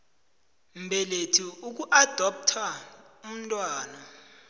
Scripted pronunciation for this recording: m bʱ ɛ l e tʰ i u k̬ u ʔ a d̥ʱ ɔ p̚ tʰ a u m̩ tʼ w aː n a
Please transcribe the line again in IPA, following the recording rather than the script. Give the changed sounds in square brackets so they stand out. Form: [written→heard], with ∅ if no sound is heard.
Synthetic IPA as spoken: m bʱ ɛ l e tʰ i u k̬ u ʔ a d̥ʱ ɔ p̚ tʰ a u m̩ tʼ w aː n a